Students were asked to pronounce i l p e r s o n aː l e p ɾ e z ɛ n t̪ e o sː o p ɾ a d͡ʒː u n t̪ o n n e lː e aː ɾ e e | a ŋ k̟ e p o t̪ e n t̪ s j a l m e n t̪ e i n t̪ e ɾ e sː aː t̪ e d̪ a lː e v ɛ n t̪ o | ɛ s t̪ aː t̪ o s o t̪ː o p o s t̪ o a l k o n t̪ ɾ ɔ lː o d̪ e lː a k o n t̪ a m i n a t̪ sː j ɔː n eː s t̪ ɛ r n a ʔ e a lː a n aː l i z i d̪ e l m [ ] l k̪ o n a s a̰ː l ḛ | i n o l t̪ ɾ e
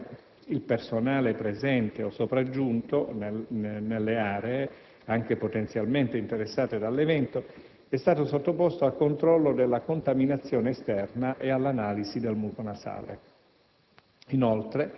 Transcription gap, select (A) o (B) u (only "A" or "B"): B